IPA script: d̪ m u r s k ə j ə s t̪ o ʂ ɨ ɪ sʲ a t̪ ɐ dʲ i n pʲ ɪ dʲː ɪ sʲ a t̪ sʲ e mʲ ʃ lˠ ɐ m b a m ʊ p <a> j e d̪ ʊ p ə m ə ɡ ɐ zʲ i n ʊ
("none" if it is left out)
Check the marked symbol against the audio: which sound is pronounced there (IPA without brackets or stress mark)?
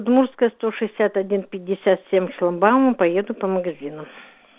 ɐ